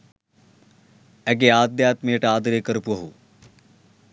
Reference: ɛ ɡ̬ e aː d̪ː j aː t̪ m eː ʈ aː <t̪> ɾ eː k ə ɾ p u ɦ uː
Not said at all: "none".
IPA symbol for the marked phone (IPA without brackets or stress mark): d̪